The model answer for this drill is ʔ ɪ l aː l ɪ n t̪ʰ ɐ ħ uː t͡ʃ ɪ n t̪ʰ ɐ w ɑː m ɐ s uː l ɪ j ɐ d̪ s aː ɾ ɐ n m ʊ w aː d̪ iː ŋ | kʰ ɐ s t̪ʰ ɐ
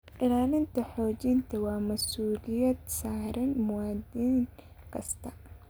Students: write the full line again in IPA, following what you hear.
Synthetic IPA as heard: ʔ ɪ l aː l ɪ n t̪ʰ ɐ ħ ɔː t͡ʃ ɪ n t̪ʰ ɐ w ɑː m ɐ s uː l ɪ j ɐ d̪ s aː ɾ ɐ n m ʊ w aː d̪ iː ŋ | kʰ ɐ s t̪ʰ ɐ